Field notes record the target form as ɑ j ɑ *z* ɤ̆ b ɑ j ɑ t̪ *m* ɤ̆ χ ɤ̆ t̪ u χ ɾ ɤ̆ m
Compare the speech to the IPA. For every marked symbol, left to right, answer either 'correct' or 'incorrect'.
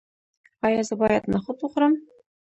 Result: correct, incorrect

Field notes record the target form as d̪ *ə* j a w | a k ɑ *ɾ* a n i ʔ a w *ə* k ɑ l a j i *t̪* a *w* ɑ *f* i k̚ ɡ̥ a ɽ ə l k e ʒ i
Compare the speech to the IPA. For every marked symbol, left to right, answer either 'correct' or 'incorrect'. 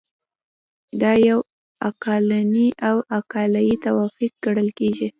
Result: incorrect, incorrect, incorrect, correct, correct, correct

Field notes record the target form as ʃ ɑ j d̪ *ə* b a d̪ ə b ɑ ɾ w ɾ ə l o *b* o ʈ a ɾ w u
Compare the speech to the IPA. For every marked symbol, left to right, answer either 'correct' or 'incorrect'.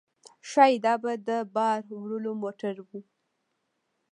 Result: incorrect, incorrect

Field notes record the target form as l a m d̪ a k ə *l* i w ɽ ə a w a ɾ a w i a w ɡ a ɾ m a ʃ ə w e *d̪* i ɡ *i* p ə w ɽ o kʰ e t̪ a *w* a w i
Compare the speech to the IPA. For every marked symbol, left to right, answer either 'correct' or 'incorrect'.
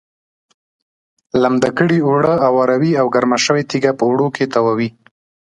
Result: incorrect, incorrect, incorrect, correct

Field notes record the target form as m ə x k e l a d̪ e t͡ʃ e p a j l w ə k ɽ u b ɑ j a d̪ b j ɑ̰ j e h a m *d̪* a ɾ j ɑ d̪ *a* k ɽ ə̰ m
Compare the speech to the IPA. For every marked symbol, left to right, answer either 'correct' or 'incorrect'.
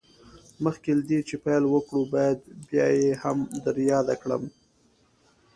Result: correct, correct

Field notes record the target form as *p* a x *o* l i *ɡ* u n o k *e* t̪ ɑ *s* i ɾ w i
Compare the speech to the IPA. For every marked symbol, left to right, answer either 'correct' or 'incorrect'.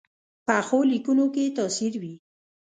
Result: correct, correct, incorrect, correct, correct

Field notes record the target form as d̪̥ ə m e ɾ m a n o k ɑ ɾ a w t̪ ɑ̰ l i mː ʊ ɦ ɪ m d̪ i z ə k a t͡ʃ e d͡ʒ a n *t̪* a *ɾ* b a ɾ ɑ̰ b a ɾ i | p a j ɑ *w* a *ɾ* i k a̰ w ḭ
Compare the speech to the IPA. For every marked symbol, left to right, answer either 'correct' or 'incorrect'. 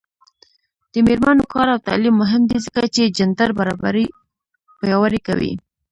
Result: incorrect, correct, correct, correct

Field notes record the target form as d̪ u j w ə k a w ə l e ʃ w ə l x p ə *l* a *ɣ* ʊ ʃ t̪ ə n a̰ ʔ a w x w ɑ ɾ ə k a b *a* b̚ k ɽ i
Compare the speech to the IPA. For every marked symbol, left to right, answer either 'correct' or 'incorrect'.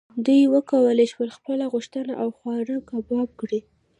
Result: correct, correct, incorrect

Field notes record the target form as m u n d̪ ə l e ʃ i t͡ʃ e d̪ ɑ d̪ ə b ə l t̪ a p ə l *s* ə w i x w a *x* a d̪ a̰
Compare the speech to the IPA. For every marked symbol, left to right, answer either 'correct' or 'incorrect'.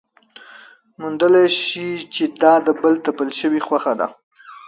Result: incorrect, correct

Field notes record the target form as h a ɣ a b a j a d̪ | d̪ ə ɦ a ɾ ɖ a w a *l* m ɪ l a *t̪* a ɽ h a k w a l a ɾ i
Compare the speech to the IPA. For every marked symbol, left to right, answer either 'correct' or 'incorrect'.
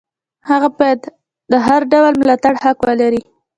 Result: correct, correct

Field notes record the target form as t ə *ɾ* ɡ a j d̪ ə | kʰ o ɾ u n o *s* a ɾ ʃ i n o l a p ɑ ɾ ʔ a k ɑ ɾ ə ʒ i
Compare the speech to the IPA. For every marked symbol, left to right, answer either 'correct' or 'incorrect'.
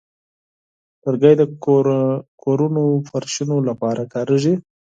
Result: correct, incorrect

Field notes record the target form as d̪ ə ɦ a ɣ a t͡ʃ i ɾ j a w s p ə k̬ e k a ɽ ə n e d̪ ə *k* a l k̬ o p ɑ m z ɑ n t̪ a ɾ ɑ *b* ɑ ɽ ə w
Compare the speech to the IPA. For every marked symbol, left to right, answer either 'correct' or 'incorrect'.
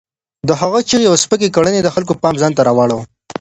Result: incorrect, incorrect

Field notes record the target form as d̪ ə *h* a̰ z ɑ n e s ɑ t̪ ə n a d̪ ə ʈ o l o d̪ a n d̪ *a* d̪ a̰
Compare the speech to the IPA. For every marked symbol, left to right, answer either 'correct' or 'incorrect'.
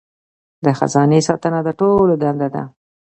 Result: incorrect, correct

